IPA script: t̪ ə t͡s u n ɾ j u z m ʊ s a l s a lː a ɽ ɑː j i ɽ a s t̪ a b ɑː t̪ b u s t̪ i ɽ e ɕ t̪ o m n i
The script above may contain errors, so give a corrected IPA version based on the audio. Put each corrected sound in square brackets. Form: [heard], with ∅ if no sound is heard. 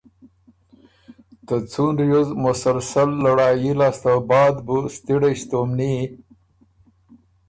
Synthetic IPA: t̪ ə t͡s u n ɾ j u z m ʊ s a l s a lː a ɽ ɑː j i [l] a s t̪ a b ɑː [d̪] b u s t̪ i ɽ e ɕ t̪ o m n i